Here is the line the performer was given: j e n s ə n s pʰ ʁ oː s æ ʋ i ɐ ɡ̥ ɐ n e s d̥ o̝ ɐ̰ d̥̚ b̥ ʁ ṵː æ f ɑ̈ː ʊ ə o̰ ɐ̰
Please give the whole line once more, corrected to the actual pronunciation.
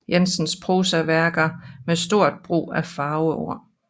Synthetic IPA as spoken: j e n s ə n s pʰ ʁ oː s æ ʋ æ ɐ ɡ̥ ɐ m e s d̥ o̝ ɐ̰ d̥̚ b̥ ʁ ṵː æ f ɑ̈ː ʊ ə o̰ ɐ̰